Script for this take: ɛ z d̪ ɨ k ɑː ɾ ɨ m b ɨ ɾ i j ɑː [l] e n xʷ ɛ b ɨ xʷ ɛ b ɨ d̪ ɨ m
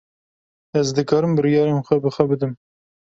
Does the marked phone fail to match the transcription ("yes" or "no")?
yes